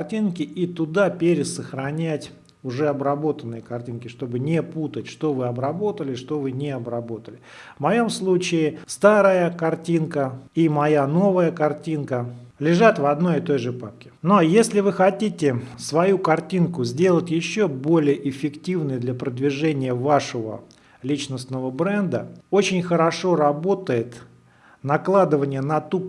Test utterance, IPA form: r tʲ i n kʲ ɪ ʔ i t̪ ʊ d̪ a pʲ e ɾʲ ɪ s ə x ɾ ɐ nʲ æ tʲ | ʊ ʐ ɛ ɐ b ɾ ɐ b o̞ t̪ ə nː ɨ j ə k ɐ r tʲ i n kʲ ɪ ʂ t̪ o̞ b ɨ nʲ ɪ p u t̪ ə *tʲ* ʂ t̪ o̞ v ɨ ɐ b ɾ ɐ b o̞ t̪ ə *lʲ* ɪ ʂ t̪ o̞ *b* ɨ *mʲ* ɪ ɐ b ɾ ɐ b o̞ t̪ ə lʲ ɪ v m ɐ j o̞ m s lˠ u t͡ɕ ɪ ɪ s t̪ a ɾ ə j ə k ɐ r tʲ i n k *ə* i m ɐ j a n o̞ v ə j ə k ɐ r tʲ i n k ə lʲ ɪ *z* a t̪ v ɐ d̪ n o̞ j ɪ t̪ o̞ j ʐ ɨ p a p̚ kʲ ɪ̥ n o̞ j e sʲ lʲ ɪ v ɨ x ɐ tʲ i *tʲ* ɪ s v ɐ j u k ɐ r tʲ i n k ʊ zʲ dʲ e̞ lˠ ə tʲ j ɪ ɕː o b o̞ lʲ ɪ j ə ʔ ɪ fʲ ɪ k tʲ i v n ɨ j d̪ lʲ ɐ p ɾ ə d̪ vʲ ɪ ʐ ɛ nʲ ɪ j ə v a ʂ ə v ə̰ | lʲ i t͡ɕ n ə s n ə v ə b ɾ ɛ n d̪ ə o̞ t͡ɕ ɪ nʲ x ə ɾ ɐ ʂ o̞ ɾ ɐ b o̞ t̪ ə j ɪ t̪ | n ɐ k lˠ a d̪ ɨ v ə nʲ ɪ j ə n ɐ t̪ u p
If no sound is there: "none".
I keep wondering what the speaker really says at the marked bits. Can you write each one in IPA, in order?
tʲ, lʲ, v, nʲ, ə, ʐ, tʲ

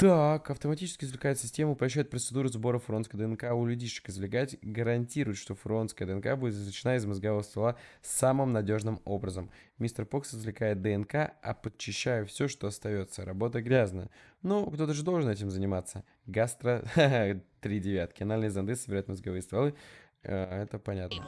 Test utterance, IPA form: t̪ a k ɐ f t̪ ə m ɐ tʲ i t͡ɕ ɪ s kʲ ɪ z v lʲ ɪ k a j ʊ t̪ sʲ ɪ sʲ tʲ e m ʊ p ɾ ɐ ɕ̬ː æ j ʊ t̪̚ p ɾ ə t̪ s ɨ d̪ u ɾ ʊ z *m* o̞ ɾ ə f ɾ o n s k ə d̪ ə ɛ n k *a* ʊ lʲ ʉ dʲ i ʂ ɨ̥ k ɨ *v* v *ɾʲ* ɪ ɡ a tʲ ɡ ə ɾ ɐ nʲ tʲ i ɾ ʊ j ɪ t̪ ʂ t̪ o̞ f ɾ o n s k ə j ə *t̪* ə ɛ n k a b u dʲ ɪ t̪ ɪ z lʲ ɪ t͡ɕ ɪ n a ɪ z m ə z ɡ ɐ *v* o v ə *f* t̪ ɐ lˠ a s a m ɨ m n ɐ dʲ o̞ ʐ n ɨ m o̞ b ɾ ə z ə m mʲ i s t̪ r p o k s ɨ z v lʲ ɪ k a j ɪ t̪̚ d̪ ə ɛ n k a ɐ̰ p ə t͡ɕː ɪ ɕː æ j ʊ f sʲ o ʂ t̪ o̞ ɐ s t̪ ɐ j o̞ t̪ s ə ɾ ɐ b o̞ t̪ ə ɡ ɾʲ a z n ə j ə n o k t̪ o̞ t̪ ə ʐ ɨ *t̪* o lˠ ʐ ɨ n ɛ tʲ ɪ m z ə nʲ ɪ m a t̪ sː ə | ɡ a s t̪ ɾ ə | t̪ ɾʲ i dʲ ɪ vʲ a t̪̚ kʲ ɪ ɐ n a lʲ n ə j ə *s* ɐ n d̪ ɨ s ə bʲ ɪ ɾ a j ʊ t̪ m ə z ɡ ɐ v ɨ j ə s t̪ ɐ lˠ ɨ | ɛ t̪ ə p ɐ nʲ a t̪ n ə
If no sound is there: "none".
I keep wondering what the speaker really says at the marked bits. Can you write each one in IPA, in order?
b, a, z, lʲ, d̪, v, s, d̪, z

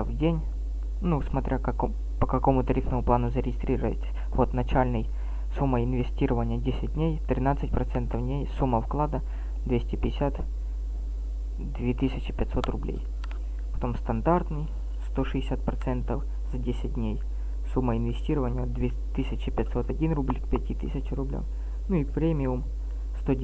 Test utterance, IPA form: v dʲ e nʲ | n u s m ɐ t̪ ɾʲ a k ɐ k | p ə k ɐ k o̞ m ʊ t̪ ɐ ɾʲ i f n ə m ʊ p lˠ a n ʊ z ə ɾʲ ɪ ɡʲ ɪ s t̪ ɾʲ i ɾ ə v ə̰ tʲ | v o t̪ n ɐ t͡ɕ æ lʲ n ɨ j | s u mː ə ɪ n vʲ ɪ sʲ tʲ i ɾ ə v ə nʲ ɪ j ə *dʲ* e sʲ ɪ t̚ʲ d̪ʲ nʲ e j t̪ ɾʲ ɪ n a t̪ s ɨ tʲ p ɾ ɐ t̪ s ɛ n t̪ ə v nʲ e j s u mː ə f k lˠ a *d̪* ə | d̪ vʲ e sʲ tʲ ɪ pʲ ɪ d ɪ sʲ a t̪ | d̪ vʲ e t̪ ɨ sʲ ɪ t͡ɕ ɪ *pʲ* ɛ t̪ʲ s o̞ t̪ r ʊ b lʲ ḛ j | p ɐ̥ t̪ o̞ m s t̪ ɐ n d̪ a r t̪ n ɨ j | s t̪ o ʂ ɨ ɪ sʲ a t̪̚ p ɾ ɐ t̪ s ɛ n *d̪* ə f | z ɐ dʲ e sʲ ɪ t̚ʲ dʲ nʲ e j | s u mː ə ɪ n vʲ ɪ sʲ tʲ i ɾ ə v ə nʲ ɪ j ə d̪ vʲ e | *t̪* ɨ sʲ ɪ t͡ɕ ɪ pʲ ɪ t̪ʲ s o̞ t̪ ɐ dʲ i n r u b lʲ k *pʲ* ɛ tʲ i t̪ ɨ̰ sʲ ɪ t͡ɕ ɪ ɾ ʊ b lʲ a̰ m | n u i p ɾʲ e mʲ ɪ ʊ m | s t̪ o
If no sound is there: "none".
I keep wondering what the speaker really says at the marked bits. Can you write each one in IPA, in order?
dʲ, d̪, pʲ, t̪, t̪, pʲ

